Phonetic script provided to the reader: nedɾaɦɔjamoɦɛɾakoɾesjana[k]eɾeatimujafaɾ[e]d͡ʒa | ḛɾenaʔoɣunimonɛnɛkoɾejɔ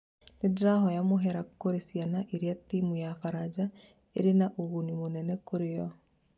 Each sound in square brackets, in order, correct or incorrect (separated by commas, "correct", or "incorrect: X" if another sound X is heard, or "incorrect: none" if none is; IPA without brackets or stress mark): incorrect: ʔ, incorrect: a